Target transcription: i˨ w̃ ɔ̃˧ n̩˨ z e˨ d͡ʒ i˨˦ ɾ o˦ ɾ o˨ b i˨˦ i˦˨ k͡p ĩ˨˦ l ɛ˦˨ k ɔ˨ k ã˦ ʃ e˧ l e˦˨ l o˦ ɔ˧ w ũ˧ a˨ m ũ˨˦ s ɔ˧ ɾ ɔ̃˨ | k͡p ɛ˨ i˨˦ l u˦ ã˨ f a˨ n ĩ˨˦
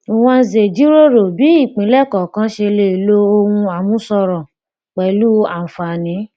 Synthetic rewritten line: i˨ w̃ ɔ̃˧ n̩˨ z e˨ d͡ʒ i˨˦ ɾ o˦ ɾ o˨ b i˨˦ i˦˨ k͡p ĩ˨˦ l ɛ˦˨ k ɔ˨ k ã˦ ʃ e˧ l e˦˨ l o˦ o˧ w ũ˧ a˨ m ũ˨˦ s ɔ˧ ɾ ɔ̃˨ | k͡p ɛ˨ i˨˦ l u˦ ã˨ f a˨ n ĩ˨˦